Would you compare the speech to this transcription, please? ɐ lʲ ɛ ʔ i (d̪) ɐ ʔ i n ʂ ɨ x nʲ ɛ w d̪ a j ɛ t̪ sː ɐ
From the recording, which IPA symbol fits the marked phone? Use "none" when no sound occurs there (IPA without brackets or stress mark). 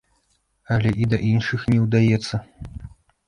d̪